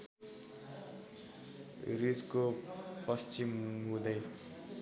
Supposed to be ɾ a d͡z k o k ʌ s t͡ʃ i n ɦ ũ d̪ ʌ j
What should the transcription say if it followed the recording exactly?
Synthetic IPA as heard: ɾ i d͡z k o p ʌ s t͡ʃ i m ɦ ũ d̪ ʌ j